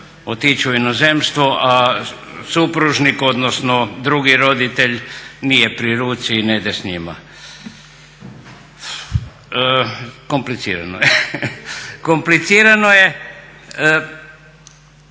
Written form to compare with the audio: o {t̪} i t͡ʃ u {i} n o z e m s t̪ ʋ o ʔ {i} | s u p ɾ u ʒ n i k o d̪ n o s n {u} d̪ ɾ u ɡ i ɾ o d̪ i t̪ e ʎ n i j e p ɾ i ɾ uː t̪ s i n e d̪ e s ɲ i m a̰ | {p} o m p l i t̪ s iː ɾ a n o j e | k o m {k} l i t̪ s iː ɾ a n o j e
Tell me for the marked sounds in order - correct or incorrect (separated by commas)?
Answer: correct, correct, incorrect, incorrect, incorrect, incorrect